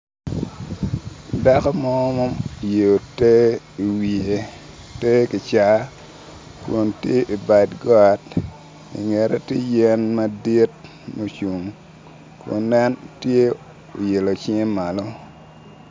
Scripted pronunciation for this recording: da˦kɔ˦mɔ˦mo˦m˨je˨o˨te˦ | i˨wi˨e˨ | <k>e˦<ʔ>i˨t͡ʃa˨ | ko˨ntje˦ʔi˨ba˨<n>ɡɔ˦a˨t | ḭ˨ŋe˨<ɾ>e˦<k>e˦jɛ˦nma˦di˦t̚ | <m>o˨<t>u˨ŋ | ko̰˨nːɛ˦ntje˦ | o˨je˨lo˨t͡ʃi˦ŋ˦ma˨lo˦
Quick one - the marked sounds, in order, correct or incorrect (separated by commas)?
incorrect, incorrect, incorrect, correct, incorrect, correct, incorrect